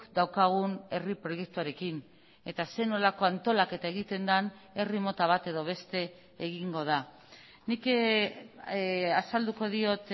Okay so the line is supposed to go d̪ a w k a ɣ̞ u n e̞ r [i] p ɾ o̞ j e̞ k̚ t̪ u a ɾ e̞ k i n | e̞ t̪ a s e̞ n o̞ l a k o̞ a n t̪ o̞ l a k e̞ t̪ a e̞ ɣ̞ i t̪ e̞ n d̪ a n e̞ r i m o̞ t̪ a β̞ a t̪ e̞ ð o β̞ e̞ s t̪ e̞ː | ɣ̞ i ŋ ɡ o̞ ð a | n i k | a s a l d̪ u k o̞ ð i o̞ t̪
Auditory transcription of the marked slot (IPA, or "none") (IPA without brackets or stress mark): i